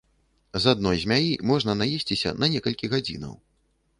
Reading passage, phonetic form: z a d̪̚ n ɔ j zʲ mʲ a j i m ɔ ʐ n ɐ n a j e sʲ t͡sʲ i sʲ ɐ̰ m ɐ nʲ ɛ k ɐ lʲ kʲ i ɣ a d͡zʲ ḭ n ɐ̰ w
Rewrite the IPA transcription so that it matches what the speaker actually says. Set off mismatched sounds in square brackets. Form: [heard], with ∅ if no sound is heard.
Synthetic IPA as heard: z a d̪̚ n ɔ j zʲ mʲ a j i m ɔ ʐ n ɐ n a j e sʲ t͡sʲ i sʲ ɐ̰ [n] ɐ nʲ ɛ k ɐ lʲ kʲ i ɣ a d͡zʲ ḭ n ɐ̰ w